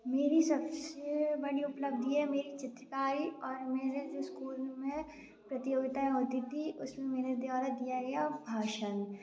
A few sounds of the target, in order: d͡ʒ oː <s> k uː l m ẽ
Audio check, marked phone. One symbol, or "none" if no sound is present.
s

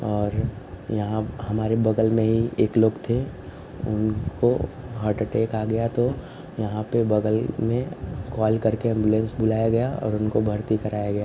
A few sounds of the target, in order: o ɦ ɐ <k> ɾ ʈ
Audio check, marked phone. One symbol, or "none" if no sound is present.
none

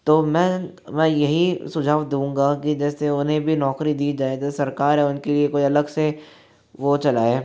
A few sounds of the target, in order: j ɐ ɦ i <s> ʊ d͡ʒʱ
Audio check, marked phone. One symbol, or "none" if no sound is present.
s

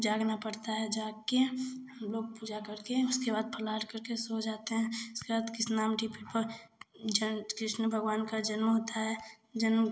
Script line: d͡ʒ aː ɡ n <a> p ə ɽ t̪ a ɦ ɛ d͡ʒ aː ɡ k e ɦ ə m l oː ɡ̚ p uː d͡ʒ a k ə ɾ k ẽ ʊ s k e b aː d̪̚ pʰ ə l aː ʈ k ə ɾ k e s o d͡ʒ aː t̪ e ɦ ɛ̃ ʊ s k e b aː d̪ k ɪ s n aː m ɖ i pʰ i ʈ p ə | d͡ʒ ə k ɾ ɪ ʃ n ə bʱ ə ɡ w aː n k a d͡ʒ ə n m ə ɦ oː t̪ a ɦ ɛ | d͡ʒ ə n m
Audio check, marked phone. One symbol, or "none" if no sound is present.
a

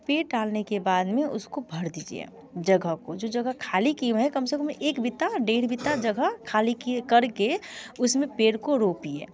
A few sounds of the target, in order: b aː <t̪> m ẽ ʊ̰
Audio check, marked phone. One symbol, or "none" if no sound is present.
d̪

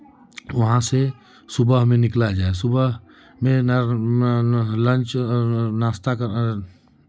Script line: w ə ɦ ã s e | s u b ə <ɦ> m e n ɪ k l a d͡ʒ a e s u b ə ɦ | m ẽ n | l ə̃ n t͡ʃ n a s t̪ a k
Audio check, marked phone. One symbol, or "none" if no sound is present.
ɦ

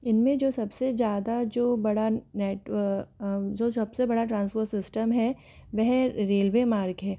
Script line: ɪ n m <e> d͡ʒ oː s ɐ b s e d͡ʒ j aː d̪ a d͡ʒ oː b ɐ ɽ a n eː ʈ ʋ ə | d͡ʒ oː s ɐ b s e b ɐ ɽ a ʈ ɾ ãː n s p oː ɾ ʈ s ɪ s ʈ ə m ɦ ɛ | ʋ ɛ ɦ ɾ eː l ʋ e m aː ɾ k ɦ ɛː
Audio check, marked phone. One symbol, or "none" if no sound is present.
ẽ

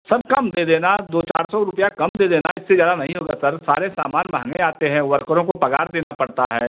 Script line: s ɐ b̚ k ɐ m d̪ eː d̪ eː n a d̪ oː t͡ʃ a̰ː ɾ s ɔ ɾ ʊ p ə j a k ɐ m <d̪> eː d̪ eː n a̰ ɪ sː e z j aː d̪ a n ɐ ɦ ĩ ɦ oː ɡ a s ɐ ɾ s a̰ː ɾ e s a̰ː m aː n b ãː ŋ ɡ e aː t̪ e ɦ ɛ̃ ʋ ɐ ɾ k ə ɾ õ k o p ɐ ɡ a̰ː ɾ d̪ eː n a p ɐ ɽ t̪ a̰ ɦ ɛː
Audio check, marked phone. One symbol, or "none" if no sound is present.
d̪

